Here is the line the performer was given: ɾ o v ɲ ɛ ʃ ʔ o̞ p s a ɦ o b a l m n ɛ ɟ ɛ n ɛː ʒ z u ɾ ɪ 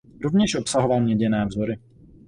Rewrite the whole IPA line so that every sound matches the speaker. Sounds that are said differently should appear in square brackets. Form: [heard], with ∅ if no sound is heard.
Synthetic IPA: ɾ o v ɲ ɛ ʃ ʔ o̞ p s a ɦ o [v] a l m [ɲ] ɛ ɟ ɛ n ɛː [v] z [o] ɾ ɪ